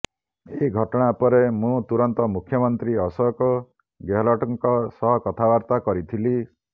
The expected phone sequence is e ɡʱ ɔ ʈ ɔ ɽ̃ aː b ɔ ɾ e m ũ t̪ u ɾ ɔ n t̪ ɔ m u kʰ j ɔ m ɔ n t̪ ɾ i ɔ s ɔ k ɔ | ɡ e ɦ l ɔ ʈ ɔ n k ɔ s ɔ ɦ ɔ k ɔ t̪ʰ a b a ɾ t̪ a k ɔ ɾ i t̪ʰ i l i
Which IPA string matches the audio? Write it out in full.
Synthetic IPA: e ɡʱ ɔ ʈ ɔ ɽ̃ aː p ɔ ɾ e m ũ t̪ u ɾ ɔ n t̪ ɔ m u kʰ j ɔ m ɔ n t̪ ɾ i ɔ s ɔ k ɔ | ɡ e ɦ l ɔ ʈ ɔ ŋ k ɔ s ɔ ɦ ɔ k ɔ t̪ʰ a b a ɾ t̪ a k ɔ ɾ i t̪ʰ i l i